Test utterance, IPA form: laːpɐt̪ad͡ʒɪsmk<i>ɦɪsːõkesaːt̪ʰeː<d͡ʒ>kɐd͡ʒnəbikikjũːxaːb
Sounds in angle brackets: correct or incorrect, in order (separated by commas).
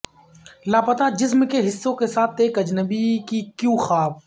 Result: incorrect, incorrect